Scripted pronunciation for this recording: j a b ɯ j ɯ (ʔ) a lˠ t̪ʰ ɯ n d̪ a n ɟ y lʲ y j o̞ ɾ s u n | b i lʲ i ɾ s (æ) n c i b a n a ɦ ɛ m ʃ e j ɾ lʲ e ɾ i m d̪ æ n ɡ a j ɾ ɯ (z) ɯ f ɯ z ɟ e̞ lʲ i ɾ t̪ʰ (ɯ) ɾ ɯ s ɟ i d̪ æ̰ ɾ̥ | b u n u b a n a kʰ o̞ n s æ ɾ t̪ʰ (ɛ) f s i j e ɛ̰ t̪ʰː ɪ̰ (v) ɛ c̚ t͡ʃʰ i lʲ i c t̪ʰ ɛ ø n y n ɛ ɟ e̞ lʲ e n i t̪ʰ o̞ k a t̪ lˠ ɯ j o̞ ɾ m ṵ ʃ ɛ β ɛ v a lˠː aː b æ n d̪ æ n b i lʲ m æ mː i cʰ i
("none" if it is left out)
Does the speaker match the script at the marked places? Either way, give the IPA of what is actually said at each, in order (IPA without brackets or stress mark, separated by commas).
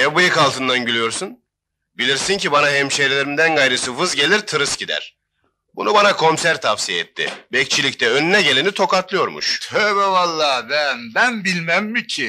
k, i, s, ɯ, a, b